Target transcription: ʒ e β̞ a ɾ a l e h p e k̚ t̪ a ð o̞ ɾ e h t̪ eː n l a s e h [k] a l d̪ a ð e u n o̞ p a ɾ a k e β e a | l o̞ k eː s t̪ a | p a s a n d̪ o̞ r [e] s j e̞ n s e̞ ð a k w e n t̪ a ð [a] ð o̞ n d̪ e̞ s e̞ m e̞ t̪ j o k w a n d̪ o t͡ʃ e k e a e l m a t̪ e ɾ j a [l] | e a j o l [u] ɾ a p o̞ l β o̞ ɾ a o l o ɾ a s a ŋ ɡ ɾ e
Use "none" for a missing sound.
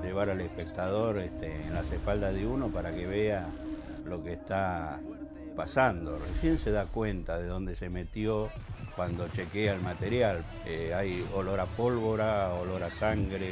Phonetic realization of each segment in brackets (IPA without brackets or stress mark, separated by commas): p, e, e, l, o